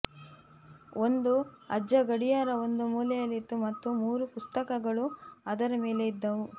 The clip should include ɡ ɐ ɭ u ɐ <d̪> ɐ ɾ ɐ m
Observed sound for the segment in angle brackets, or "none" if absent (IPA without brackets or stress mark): d̪